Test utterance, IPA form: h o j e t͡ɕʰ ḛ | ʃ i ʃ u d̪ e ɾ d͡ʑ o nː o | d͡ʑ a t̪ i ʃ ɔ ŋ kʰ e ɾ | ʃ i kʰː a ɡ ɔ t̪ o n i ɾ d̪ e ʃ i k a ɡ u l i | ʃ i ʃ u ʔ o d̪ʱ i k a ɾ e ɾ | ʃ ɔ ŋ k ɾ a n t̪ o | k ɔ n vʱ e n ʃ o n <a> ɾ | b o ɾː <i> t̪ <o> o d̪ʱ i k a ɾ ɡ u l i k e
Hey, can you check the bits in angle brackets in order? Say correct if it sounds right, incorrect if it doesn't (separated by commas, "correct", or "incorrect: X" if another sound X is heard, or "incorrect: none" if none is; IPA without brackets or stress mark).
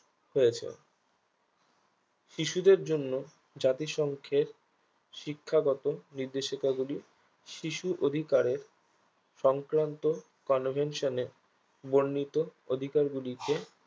incorrect: e, correct, correct